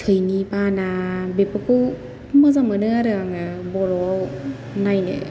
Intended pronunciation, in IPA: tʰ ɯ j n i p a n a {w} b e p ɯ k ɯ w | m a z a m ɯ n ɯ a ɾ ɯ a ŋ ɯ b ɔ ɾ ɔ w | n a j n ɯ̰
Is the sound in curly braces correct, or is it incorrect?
incorrect: none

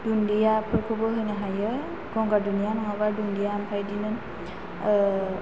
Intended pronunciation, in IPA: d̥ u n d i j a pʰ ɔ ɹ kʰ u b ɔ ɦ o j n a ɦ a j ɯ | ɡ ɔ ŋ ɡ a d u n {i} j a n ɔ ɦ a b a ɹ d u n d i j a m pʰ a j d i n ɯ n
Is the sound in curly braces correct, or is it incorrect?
correct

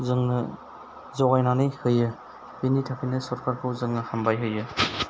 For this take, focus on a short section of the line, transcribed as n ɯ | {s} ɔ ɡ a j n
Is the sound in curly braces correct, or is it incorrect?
incorrect: z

